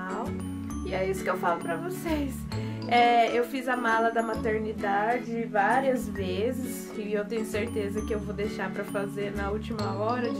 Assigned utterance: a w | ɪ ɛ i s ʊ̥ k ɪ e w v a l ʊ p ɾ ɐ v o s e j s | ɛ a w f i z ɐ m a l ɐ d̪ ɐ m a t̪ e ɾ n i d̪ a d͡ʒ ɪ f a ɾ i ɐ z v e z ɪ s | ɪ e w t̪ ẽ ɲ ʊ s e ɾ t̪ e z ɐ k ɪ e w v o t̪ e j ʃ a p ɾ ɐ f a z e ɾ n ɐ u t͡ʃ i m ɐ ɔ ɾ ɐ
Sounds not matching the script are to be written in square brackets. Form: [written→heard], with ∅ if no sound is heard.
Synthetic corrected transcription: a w | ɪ ɛ i s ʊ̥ k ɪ e w [v→f] a l ʊ p ɾ ɐ v o s e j s | ɛ [a→e] w f i z ɐ m a l ɐ d̪ ɐ m a t̪ e ɾ n i d̪ a d͡ʒ ɪ [f→v] a ɾ i ɐ z v e z ɪ s | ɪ e w t̪ ẽ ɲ ʊ s e ɾ t̪ e z ɐ k ɪ e w v o [t̪→d̪] e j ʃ a p ɾ ɐ f a z e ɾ n ɐ u t͡ʃ i m ɐ ɔ ɾ ɐ